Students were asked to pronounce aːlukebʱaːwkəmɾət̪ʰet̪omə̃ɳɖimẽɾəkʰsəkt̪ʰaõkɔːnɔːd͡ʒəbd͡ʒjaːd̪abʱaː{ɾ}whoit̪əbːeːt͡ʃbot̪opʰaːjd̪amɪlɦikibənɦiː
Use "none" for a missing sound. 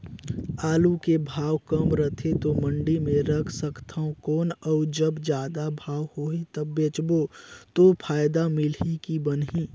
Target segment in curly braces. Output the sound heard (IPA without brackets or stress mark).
none